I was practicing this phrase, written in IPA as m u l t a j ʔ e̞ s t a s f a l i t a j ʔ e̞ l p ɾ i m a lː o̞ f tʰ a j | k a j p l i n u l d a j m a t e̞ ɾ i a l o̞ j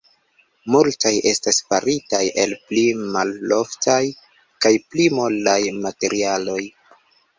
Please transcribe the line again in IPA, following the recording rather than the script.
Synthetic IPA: m u l t a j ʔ e̞ s t a s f a ɾ i t a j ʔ e̞ l p l i m a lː o̞ f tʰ a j | k a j p l i m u l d a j m a t e̞ ɾ i a l o̞ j